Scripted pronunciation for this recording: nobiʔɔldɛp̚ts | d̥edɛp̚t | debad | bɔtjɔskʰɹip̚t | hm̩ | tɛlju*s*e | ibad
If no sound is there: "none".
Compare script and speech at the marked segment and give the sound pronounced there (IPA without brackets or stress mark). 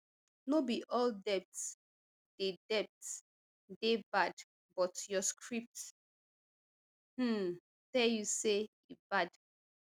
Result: s